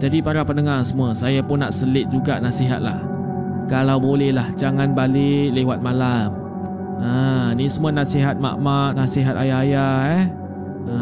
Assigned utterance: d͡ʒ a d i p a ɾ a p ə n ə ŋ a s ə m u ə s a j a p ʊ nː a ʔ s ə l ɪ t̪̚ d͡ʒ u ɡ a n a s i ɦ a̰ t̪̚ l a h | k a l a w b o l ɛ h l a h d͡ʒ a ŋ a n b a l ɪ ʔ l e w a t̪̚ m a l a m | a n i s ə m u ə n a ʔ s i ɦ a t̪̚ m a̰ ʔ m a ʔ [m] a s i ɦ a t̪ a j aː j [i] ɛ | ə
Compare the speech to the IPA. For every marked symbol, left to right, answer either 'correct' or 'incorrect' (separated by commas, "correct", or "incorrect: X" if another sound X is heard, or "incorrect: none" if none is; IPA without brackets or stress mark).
incorrect: n, incorrect: a